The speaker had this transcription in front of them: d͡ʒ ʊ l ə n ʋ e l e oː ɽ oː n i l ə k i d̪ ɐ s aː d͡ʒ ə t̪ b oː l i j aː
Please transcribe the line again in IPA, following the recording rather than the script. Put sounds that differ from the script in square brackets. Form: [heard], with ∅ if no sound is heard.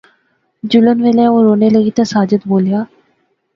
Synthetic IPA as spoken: d͡ʒ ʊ l ə n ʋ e l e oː [ɾ] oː n [e] l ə [ɡ] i [t̪] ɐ s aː d͡ʒ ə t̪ b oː l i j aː